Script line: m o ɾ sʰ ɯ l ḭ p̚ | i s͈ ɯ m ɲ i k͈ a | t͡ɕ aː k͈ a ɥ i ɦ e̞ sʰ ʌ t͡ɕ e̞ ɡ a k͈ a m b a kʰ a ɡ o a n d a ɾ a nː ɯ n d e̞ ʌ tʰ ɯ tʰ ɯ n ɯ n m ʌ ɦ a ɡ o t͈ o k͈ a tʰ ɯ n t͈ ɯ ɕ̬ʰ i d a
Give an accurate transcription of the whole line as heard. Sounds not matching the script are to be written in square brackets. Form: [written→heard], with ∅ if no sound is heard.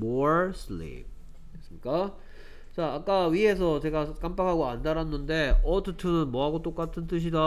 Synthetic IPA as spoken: m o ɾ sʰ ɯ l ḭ p̚ | [i→e] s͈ ɯ m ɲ i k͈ a | t͡ɕ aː k͈ a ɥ i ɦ e̞ sʰ ʌ t͡ɕ e̞ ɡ a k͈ a m [b→p] a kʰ a ɡ o a n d a ɾ a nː ɯ n d e̞ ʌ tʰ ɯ tʰ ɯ n ɯ n m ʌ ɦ a ɡ o t͈ o k͈ a tʰ ɯ n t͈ ɯ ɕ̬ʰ i d a